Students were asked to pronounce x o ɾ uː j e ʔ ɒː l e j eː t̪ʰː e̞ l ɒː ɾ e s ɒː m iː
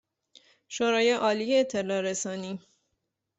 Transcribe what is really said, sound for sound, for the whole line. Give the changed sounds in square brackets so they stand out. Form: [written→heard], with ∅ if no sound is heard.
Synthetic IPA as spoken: [x→ʃ] o ɾ [uː→ɒː] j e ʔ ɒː l [e→i] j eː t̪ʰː e̞ l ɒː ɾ e s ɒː [m→n] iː